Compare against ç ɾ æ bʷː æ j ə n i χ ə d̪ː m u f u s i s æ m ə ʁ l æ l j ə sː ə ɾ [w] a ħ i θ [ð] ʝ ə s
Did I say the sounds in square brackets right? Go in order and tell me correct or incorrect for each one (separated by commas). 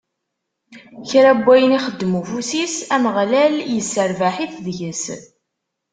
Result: incorrect, correct